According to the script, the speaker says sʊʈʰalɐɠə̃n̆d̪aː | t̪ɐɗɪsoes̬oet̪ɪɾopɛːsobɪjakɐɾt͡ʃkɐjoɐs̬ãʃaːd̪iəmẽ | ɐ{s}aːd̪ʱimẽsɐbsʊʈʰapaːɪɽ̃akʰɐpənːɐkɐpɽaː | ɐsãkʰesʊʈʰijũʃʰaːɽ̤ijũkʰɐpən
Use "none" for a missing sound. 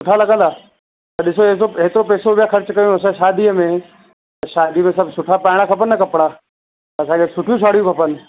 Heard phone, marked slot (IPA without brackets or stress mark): ʃ